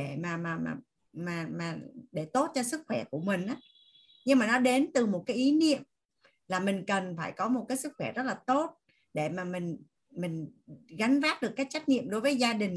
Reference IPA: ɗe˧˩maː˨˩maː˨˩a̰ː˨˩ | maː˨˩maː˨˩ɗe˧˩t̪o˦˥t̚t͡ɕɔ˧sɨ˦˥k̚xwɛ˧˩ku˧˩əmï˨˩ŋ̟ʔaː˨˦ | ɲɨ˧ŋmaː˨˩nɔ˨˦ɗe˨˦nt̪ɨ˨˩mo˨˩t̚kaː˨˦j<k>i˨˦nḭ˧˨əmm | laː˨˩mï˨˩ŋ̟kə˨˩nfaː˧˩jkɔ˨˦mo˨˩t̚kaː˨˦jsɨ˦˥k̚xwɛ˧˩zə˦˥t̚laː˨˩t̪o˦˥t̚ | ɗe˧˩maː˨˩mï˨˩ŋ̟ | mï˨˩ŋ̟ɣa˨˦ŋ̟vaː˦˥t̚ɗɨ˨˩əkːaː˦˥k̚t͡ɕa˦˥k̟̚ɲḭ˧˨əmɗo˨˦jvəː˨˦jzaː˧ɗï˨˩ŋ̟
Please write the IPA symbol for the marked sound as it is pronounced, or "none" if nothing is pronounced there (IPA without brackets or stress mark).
ʔ